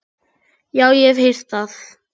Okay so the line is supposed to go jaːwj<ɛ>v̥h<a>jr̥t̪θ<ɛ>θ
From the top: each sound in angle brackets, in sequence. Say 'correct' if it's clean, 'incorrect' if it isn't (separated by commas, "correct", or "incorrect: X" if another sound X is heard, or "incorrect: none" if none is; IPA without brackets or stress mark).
correct, incorrect: e, incorrect: a